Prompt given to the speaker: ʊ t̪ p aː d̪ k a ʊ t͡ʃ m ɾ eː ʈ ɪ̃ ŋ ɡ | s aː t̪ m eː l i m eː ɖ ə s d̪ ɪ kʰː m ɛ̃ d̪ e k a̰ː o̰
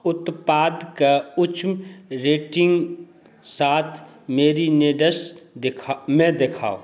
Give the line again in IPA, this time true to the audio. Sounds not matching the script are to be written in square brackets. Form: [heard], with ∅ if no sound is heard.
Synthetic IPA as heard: ʊ t̪ p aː d̪ k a ʊ t͡ʃ m ɾ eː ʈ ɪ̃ ŋ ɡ | s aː [t̪ʰ] m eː [ɾ] i [n] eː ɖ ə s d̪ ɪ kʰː m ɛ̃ d̪ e [kʰ] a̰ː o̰